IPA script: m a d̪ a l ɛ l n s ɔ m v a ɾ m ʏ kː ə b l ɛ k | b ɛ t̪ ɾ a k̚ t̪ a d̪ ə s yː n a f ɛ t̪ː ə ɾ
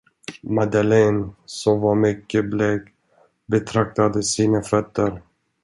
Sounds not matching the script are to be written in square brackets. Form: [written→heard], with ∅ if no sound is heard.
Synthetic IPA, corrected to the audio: m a d̪ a l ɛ [l→∅] n s ɔ m v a ɾ m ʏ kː ə b l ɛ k | b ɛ [t̪→t̪ʰ] ɾ a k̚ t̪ a d̪ ə s [yː→iː] n a f [ɛ→œ] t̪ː ə ɾ